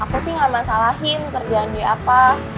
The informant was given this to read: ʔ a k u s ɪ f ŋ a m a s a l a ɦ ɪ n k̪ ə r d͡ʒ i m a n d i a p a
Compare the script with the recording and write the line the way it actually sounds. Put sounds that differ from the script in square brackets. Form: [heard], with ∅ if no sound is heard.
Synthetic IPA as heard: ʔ a k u s ɪ [h] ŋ a m a s a l a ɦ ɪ n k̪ ə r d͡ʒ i [∅] a n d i a p a